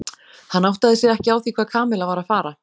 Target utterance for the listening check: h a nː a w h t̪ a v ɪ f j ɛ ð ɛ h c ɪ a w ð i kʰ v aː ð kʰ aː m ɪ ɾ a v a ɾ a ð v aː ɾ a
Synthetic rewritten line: h a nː a w h t̪ a ð ɪ s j ɛ ð ɛ h c ɪ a w θ i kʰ v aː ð kʰ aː m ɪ l a v a ɾ a ð f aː ɾ a